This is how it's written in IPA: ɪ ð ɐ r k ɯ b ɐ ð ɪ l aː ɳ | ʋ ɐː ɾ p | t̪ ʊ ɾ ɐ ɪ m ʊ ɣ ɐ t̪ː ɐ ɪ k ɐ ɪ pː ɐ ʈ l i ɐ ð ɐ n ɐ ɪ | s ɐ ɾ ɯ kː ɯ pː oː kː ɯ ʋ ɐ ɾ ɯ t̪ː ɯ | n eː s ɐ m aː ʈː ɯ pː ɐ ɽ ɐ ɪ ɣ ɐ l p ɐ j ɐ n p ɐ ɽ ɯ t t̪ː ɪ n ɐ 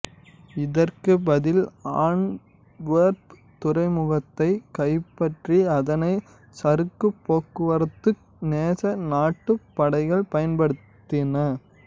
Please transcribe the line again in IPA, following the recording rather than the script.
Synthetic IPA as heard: ɪ ð ɐ r k ɯ b ɐ ð ɪ l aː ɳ | ʋ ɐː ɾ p | t̪ ʊ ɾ ɐ ɪ m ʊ ɣ ɐ t̪ː ɐ ɪ k ɐ ɪ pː ɐ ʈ r i ɐ ð ɐ n ɐ ɪ | s ɐ ɾ ɯ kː ɯ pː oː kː ɯ ʋ ɐ ɾ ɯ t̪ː ɯ | n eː s ɐ n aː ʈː ɯ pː ɐ ɽ ɐ ɪ ɣ ɐ ɭ p ɐ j ɐ n p ɐ ɽ ɯ t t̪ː ɪ n ɐ